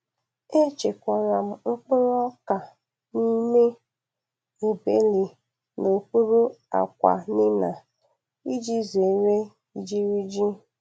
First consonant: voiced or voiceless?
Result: voiceless